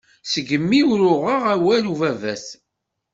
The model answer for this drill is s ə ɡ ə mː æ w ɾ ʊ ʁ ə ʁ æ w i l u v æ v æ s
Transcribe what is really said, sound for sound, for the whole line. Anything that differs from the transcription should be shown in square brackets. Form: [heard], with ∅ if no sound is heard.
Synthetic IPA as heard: s ə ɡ ə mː [i] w ɾ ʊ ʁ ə ʁ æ w [æ] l u v æ v æ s